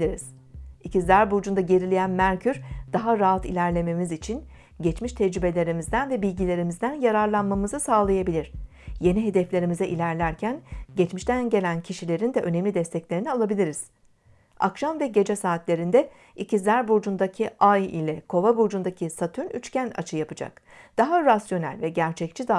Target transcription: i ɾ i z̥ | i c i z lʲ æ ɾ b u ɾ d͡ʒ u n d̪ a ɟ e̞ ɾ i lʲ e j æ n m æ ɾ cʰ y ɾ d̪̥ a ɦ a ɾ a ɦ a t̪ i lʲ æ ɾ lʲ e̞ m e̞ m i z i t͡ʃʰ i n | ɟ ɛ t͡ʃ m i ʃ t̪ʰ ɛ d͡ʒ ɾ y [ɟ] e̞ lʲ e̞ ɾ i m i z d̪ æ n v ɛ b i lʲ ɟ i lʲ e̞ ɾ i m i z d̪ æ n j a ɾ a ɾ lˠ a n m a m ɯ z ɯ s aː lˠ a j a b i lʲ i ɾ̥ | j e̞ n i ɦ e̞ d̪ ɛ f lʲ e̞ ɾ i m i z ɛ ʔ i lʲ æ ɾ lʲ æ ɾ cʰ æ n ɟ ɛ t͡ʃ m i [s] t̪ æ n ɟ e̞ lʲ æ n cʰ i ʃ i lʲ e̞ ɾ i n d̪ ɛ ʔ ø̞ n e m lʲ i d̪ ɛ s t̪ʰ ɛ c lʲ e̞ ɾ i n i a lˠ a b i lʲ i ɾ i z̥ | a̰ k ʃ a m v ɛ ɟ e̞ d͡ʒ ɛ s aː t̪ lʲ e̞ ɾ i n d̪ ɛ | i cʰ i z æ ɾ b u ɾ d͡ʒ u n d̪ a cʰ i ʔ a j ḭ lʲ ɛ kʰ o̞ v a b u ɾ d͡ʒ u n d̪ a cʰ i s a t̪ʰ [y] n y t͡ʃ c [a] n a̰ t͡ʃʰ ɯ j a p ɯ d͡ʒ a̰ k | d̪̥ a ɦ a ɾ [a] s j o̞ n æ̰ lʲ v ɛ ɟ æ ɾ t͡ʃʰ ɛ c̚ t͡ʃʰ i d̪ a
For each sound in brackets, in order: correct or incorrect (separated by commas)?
incorrect, incorrect, correct, incorrect, correct